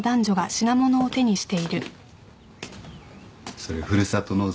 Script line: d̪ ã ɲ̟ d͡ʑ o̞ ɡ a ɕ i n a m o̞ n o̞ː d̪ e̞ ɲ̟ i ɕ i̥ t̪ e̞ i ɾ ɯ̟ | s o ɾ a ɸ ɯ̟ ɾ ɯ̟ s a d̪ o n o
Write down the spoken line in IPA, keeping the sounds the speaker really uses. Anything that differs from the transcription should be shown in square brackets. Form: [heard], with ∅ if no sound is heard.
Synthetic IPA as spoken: d̪ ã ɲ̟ d͡ʑ o̞ ɡ a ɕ i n a m o̞ n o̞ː [t̪] e̞ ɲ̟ i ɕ i̥ t̪ e̞ i ɾ ɯ̟ | s o ɾ [e] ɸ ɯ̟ ɾ ɯ̟ s a [t̪] o n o